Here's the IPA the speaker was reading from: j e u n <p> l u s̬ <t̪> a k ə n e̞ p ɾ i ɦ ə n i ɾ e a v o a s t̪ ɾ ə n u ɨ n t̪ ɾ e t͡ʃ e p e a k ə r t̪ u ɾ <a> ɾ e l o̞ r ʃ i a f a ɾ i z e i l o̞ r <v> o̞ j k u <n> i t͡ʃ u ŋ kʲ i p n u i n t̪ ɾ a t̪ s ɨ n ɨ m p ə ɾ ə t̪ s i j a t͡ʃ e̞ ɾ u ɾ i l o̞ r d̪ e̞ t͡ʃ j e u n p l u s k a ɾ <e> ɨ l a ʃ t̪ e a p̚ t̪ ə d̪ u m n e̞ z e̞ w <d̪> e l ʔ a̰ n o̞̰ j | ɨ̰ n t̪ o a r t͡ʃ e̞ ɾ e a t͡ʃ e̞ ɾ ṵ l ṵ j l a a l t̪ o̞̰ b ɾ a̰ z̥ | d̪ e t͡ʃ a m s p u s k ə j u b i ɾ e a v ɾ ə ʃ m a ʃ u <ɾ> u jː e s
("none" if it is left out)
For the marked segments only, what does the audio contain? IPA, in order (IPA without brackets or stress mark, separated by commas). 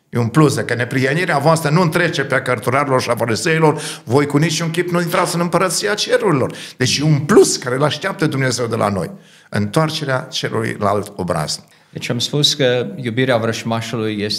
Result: p, d̪, a, v, n, e, d̪, l